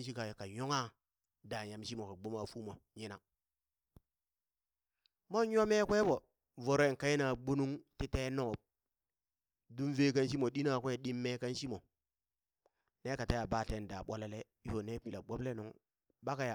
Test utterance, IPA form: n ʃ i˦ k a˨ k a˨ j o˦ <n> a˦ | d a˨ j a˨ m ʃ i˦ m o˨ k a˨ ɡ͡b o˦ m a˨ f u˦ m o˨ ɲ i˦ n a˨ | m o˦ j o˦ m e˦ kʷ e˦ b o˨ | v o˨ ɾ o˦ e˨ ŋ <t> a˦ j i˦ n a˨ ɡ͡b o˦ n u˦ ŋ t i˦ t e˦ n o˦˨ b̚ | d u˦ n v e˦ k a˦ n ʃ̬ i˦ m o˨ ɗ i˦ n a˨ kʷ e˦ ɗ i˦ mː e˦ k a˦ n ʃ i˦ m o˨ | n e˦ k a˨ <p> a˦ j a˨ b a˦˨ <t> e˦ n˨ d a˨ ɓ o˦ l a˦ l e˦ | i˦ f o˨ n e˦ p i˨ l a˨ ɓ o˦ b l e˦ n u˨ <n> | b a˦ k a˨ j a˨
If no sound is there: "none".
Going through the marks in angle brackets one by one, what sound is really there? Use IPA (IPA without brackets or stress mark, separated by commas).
ŋ, k, t, t, ŋ